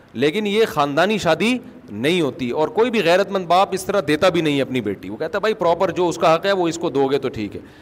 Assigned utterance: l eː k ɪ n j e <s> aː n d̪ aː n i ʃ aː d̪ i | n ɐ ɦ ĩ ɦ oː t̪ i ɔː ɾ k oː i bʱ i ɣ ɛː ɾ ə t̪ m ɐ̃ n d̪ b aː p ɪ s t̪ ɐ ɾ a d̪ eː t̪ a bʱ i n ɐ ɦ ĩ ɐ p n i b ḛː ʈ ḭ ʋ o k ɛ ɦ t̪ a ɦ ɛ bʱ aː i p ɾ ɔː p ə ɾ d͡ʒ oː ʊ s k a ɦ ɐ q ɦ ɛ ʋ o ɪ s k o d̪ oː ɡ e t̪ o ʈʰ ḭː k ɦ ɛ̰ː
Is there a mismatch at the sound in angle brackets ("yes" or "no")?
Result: yes